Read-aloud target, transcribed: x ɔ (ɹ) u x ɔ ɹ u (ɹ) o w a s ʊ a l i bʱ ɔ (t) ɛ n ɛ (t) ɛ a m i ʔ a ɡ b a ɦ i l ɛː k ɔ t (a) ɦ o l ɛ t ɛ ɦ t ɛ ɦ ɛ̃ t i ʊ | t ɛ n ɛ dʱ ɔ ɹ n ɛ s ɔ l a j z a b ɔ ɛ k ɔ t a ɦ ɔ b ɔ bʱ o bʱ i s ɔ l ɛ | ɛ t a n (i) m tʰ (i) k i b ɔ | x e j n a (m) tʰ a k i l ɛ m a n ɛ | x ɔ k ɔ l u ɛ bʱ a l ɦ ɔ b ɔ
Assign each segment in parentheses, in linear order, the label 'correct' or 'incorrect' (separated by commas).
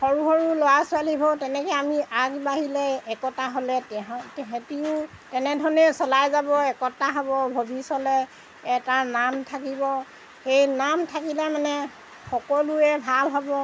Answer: correct, incorrect, correct, incorrect, correct, incorrect, incorrect, correct